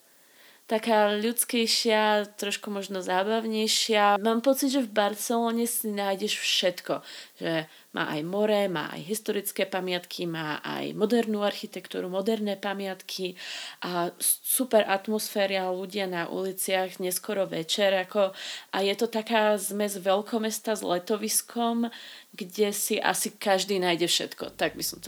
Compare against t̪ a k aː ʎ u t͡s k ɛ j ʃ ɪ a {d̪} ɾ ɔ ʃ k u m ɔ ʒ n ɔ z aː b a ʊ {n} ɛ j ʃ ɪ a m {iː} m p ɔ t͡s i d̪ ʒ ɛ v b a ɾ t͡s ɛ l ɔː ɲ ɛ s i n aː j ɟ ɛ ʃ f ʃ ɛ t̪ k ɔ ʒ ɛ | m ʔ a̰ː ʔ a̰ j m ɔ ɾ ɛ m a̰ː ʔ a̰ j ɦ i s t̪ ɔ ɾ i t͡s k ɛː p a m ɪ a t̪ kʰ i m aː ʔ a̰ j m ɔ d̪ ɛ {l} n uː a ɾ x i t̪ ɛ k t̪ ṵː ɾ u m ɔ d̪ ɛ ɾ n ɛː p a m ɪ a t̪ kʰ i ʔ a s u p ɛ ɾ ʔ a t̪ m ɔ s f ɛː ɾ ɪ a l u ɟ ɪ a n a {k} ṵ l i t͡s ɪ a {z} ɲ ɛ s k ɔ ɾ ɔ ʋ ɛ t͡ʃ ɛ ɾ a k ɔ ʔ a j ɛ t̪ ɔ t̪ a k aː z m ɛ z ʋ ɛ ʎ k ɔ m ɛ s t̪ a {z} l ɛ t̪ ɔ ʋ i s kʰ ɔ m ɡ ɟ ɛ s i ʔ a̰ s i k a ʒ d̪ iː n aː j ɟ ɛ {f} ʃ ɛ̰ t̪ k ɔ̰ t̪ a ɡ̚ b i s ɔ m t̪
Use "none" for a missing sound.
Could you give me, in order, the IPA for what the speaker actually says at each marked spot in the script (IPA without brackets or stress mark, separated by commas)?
t̪, ɲ, aː, ɾ, ʔ, ɣ, z, f